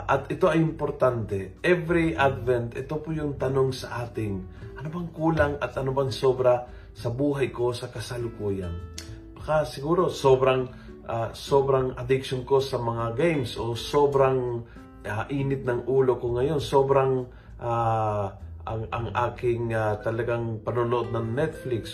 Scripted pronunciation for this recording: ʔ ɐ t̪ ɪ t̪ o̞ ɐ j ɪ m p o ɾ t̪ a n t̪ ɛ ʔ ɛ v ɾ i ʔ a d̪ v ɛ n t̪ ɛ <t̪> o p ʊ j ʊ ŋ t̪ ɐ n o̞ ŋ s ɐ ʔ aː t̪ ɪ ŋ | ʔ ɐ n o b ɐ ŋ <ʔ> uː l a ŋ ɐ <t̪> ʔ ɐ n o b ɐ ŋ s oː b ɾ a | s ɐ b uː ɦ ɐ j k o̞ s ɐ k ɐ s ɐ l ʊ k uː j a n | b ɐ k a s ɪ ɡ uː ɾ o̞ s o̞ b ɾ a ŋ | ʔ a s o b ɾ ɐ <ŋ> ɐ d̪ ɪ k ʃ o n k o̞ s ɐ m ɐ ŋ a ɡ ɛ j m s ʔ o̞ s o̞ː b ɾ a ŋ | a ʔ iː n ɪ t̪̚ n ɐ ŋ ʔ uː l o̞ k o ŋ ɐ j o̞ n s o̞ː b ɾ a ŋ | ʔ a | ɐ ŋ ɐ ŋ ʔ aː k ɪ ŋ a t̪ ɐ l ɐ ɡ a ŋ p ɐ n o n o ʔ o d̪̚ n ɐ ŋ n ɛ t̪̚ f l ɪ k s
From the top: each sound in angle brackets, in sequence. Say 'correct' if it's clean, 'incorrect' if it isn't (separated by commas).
correct, incorrect, correct, correct